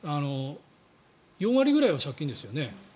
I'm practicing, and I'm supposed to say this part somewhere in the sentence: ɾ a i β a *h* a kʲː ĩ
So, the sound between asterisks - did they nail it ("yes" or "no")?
no